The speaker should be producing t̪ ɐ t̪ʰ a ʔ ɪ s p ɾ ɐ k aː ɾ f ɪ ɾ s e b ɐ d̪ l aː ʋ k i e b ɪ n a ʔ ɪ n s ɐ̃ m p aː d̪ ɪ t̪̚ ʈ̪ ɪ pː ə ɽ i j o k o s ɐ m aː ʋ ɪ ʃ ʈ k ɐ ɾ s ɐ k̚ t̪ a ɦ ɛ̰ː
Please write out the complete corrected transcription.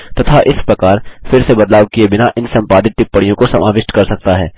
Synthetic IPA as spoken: t̪ ɐ t̪ʰ a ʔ ɪ s p ɾ ɐ k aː ɾ f ɪ ɾ s e b ɐ d̪ l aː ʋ k i e b ɪ n a ʔ ɪ n s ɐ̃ m p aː d̪ ɪ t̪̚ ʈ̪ ɪ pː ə ɽ i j õ k o s ɐ m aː ʋ ɪ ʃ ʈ k ɐ ɾ s ɐ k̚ t̪ a ɦ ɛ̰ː